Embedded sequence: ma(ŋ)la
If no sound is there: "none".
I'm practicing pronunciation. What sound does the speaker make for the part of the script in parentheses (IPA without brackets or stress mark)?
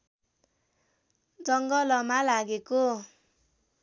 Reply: none